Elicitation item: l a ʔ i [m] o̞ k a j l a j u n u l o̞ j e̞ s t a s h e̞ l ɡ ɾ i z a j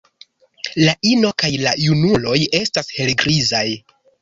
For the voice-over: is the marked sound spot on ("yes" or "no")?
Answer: no